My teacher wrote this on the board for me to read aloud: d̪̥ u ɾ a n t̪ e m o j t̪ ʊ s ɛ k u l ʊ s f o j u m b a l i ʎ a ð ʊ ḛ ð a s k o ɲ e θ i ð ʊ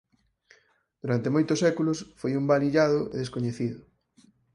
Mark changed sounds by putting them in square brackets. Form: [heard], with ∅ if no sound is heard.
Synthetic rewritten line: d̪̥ u ɾ a n t̪ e m o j t̪ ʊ s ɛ k u l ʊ s f o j u m b a l i ʎ a ð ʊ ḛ ð [e] s k o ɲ e θ i ð ʊ